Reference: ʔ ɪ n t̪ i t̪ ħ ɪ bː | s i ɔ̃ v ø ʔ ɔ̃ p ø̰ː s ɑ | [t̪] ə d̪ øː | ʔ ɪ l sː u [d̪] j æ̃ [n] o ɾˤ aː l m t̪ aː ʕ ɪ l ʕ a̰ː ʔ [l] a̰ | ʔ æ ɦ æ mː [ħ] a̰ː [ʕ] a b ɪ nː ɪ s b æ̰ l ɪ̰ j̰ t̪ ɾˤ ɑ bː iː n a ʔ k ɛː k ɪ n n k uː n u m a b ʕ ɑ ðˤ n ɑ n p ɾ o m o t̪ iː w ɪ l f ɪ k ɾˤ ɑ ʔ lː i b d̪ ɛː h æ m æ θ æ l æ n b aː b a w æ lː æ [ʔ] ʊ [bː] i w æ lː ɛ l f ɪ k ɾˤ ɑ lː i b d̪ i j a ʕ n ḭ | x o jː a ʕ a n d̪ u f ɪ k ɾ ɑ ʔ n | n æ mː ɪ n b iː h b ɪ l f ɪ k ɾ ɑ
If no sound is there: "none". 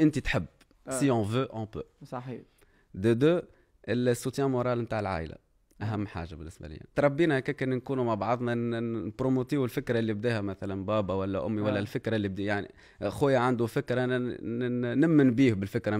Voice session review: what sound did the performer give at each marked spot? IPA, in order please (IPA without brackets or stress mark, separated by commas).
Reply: d̪, t̪, m, l, ħ, ʒ, ʔ, mː